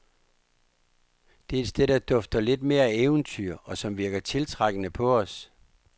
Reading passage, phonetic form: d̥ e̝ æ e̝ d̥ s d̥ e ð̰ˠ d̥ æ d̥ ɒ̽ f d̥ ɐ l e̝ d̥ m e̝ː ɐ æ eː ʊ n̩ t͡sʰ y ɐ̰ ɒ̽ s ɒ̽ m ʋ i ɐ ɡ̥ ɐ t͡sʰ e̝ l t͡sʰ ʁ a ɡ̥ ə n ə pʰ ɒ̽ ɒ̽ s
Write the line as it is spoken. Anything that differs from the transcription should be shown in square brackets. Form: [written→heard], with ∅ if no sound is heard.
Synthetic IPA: d̥ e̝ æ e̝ d̥ s d̥ e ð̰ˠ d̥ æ d̥ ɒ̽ f d̥ ɐ l e̝ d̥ m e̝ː ɐ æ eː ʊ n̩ t͡sʰ y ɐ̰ ɒ̽ s ɒ̽ m ʋ i ɐ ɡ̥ ɐ t͡sʰ e̝ l t͡sʰ ʁ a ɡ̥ ə n ə pʰ ɒ̽ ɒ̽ s